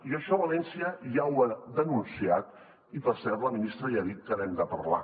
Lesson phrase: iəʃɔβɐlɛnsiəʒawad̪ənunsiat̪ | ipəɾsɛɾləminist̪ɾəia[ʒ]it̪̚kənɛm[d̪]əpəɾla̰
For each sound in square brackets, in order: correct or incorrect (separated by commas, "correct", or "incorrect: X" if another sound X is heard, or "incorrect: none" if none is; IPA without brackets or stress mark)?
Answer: incorrect: ð, correct